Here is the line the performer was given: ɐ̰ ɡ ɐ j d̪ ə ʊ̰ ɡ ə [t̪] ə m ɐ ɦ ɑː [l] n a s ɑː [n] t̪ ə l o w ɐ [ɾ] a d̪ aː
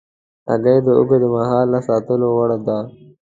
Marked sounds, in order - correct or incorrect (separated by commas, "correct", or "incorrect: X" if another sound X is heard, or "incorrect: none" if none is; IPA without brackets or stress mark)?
incorrect: d̪, correct, incorrect: none, incorrect: ɽ